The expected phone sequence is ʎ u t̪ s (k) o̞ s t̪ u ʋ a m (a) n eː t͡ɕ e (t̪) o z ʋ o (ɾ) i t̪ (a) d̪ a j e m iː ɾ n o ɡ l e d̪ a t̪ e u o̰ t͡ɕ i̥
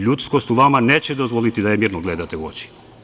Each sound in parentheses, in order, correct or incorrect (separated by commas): correct, correct, incorrect, incorrect, incorrect